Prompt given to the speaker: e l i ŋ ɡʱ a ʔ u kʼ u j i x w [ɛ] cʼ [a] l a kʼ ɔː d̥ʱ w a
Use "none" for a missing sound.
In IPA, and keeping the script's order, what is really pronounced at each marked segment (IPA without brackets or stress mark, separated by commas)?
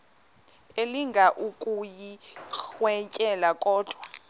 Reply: ɛ, ɛ